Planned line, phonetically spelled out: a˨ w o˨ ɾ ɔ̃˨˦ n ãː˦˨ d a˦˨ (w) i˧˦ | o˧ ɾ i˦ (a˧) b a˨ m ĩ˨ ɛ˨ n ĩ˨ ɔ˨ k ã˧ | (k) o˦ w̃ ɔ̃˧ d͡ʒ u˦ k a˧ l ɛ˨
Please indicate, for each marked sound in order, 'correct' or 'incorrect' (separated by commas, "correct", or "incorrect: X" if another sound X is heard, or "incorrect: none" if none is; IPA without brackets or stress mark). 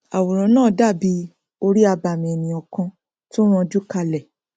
incorrect: b, correct, incorrect: t